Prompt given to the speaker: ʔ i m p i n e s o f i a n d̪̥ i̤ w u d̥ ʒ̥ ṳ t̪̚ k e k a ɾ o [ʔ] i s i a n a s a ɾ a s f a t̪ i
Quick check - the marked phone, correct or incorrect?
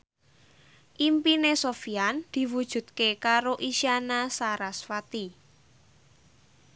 correct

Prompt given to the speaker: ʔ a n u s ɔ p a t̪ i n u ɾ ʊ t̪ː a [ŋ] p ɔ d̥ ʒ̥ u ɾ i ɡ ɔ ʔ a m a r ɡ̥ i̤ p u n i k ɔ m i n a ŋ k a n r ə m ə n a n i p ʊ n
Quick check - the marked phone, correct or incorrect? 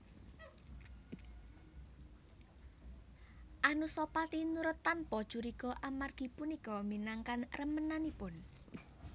incorrect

